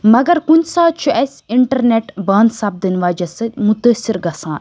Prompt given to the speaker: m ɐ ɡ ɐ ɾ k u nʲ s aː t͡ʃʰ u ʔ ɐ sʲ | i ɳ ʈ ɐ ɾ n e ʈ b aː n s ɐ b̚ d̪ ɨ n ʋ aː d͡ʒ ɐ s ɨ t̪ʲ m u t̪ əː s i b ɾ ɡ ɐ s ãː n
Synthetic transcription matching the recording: m ɐ ɡ ɐ ɾ k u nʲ s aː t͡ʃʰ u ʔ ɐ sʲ | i ɳ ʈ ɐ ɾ n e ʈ b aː n s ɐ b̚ d̪ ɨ n ʋ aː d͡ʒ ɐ s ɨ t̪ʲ m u t̪ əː s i ɾ ɡ ɐ s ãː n